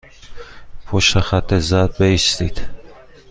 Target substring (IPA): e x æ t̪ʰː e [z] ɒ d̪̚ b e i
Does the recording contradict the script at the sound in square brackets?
no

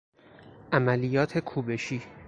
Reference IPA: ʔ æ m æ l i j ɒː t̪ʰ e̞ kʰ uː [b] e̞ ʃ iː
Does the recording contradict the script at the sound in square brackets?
no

